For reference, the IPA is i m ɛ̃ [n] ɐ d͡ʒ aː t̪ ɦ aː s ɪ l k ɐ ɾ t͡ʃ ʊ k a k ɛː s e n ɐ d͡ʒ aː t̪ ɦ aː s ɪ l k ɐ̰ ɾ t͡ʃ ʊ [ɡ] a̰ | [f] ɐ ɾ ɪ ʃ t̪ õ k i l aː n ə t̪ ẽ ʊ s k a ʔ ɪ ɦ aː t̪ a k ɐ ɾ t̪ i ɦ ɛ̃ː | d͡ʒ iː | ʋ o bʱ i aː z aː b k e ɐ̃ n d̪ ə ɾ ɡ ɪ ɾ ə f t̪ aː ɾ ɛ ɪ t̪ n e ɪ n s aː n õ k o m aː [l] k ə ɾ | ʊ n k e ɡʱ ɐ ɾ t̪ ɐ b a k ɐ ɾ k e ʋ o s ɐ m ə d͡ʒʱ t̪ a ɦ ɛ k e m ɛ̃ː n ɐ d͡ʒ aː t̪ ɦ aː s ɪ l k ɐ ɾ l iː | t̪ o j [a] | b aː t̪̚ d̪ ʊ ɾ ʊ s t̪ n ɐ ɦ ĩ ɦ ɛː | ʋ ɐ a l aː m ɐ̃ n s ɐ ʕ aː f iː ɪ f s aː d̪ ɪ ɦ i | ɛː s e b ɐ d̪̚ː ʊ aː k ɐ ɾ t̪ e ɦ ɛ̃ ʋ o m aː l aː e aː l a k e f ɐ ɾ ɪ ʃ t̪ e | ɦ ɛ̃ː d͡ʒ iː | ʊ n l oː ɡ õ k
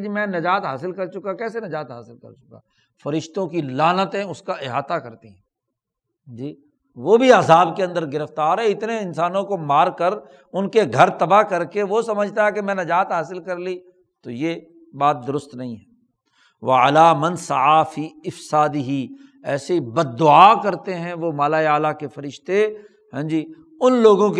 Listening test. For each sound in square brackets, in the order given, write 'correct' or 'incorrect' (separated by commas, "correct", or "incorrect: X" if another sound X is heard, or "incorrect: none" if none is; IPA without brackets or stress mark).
correct, incorrect: k, correct, incorrect: ɾ, incorrect: e